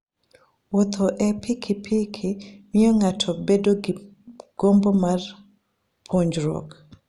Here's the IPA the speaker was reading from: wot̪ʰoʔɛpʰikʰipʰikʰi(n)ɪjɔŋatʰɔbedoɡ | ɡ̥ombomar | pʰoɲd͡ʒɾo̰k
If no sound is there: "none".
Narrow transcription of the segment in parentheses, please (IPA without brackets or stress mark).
m